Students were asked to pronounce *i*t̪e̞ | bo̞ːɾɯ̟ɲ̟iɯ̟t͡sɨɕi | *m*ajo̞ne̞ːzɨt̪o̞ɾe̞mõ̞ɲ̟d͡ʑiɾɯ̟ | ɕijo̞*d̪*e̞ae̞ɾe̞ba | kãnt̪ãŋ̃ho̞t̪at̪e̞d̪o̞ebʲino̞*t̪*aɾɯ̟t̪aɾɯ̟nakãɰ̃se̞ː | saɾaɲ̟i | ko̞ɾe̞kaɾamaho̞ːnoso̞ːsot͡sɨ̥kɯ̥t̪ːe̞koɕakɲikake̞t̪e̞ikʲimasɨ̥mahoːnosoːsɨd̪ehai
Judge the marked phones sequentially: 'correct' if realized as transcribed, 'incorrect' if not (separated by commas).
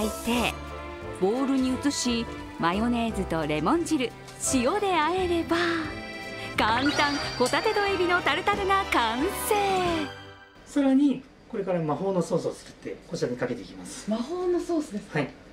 correct, correct, correct, correct